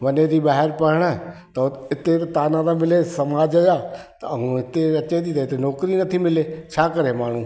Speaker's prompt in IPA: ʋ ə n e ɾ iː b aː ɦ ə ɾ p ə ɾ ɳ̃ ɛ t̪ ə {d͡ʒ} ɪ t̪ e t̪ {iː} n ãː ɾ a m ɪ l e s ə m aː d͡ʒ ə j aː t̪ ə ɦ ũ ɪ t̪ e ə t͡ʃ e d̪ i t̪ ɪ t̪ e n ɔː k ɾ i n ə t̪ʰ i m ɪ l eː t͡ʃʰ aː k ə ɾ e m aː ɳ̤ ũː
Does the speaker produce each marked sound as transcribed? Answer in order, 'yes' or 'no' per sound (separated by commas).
no, no